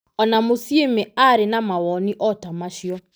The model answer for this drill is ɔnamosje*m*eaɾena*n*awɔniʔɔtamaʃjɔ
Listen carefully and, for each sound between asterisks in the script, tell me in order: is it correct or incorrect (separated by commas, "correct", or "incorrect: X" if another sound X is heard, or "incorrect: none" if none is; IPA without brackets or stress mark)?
correct, incorrect: m